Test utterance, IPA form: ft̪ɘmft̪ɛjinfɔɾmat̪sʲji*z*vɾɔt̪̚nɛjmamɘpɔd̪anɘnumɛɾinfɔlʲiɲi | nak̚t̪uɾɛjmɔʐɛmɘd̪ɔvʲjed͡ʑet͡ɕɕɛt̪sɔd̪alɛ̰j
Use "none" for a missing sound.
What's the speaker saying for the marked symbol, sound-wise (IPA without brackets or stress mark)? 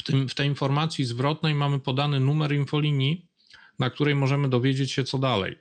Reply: z